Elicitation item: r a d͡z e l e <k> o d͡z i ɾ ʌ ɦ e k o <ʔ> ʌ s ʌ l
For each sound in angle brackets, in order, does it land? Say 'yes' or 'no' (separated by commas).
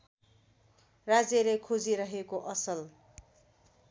no, yes